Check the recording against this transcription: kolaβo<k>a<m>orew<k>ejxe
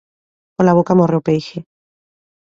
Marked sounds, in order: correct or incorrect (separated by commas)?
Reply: correct, correct, incorrect